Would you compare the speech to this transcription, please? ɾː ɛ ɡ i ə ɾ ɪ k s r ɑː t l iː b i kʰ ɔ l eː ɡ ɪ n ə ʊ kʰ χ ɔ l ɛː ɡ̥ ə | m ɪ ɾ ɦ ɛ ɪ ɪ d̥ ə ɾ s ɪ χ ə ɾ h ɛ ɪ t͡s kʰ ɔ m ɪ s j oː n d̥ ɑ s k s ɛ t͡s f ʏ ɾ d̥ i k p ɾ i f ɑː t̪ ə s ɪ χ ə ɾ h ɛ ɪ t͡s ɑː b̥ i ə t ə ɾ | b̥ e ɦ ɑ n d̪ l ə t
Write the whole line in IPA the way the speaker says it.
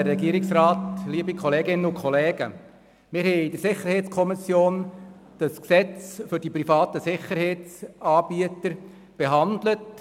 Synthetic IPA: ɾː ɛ ɡ i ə ɾ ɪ k s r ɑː t l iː b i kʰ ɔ l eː ɡ ɪ n ə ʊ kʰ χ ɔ l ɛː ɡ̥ ə | m ɪ ɾ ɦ ɛ ɪ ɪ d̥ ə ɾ s ɪ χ ə ɾ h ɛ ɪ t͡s kʰ ɔ m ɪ s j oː n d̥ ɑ s k s ɛ t͡s f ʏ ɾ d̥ i p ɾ i f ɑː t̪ ə s ɪ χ ə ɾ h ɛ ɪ t͡s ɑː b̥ i ə t ə ɾ | b̥ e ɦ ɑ n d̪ l ə t

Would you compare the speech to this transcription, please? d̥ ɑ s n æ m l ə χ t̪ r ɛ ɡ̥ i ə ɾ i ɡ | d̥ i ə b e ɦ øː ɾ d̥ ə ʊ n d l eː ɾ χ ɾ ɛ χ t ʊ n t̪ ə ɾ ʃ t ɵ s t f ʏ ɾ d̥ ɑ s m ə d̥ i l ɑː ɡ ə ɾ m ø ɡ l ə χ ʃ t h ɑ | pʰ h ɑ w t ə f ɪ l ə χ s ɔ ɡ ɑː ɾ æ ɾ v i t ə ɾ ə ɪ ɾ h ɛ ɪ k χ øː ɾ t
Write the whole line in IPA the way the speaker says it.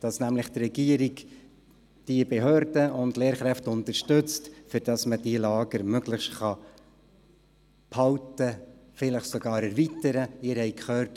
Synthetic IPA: d̥ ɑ s n æ m l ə χ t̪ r ɛ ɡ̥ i ə ɾ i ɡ | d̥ i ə b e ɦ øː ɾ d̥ ə ʊ n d l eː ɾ χ ɾ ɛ f t ʊ n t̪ ə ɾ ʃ t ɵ t͡s t f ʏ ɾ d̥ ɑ s m ə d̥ i l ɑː ɡ ə ɾ m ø ɡ l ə χ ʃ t χ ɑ | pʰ h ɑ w t ə f ɪ l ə χ s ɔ ɡ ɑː ɾ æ ɾ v i t ə ɾ ə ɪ ɾ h ɛ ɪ k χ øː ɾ t

